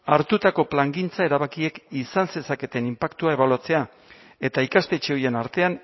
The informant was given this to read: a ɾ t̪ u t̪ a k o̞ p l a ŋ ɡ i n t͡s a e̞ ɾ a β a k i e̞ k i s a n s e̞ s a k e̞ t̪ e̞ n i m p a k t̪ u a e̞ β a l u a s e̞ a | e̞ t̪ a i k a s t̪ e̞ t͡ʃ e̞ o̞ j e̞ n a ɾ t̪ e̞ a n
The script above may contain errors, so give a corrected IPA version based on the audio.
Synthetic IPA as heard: a ɾ t̪ u t̪ a k o̞ p l a ŋ ɡ i n t͡s a e̞ ɾ a β a k i e̞ k i s a n s e̞ s a k e̞ t̪ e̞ n i m p a k t̪ u a e̞ β a l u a t͡s e̞ a | e̞ t̪ a i k a s t̪ e̞ t͡ʃ e̞ o̞ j e̞ n a ɾ t̪ e̞ a n